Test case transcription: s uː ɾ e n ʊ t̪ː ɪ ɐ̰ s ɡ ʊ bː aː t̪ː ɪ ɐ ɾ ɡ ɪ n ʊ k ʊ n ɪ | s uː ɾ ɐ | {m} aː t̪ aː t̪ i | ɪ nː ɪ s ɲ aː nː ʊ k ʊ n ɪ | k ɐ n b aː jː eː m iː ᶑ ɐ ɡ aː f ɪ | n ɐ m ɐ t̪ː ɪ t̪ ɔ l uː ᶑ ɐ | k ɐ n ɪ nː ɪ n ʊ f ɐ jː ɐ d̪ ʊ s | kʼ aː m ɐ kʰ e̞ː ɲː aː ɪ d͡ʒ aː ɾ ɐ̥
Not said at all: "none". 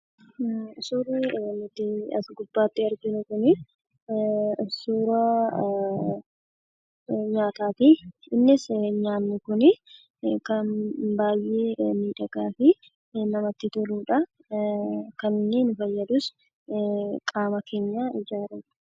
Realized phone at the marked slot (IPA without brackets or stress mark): ɲ